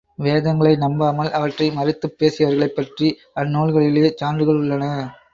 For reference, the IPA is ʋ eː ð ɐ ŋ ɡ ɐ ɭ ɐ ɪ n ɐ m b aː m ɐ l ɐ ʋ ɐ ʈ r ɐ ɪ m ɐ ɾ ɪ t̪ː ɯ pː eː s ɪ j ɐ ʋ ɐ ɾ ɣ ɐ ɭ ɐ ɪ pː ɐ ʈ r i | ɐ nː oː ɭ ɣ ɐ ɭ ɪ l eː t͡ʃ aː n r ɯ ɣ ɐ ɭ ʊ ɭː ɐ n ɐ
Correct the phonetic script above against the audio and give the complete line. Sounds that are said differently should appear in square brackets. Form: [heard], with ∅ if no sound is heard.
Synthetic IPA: ʋ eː ð ɐ ŋ ɡ ɐ ɭ ɐ ɪ n ɐ m b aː m ɐ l ɐ ʋ ɐ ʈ r ɐ ɪ m ɐ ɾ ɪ t̪ː ɯ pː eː s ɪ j ɐ ʋ ɐ ɾ ɣ ɐ ɭ ɐ ɪ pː ɐ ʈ r i | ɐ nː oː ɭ ɣ ɐ ɭ ɪ l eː t͡ʃ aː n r ɯ ɣ ɐ ɭ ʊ ɭː ɐ n ɐ